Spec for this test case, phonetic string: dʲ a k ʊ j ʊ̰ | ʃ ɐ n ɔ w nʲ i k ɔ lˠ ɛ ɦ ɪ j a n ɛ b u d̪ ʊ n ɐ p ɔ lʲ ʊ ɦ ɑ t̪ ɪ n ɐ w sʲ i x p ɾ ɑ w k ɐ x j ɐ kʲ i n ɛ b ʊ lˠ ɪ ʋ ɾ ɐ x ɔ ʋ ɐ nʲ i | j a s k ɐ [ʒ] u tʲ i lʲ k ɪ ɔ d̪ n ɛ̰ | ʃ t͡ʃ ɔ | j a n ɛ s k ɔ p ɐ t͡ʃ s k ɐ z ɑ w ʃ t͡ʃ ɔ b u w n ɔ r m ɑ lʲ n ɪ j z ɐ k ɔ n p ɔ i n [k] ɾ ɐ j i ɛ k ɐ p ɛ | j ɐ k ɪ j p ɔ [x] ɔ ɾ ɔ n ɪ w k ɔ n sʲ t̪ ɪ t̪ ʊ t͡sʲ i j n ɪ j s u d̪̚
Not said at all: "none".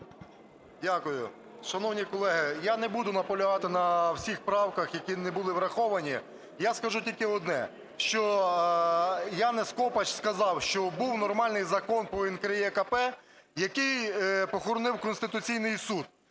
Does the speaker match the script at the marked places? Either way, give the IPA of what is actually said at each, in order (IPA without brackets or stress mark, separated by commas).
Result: ʒ, k, x